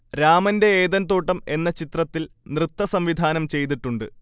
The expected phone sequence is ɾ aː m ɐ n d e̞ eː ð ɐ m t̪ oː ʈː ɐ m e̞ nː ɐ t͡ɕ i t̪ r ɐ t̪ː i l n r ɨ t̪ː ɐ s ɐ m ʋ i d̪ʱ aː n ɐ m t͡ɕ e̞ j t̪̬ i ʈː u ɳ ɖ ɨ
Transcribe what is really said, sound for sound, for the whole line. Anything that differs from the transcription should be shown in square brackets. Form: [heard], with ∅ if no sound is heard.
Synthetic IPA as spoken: ɾ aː m ɐ n d e̞ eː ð ɐ [n] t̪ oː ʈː ɐ m e̞ nː ɐ t͡ɕ i t̪ r ɐ t̪ː i l n r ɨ t̪ː ɐ s ɐ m ʋ i d̪ʱ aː n ɐ m t͡ɕ e̞ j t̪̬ i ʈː u ɳ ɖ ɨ